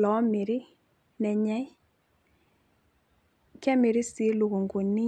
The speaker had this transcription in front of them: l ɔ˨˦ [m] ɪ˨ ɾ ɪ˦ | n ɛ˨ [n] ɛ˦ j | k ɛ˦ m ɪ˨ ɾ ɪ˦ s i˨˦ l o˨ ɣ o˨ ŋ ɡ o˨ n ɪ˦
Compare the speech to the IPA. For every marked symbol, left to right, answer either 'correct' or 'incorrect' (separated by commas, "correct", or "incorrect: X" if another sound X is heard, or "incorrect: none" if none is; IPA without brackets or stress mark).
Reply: correct, incorrect: ɲ